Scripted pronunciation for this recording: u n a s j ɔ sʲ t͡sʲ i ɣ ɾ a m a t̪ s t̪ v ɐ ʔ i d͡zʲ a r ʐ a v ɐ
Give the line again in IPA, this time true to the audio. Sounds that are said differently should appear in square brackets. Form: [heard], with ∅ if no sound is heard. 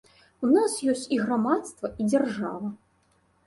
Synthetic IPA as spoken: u n a s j ɔ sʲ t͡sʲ i ɣ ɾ a m a t̪ s t̪ v ɐ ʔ i d͡zʲ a r ʐ a v ɐ